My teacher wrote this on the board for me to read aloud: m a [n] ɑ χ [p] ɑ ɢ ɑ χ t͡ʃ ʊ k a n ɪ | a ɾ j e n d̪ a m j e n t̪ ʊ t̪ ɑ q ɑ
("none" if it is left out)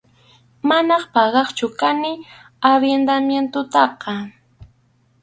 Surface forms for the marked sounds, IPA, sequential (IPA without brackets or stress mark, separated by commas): n, p